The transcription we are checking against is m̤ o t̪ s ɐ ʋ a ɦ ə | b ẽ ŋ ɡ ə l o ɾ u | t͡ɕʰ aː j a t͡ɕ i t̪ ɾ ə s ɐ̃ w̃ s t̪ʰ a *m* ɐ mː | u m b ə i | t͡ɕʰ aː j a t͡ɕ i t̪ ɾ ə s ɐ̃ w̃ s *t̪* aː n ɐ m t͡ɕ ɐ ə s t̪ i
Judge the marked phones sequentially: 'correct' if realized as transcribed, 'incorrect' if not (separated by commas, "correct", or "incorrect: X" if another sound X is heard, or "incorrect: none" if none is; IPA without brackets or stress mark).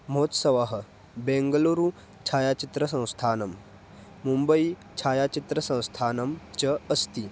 incorrect: n, incorrect: t̪ʰ